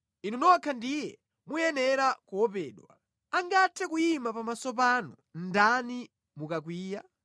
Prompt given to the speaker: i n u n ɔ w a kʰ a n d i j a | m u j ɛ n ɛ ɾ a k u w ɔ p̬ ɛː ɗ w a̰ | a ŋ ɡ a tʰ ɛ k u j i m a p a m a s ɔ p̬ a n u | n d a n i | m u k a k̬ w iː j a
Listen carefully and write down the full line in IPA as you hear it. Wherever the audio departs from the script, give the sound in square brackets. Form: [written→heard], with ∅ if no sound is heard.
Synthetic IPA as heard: i n u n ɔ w a kʰ a n d i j [a→ɛ] | m u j ɛ n ɛ ɾ a k u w ɔ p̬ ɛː ɗ w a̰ | a ŋ ɡ a tʰ ɛ k u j i m a p a m a s ɔ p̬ a n u | n d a n i | m u k a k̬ w iː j a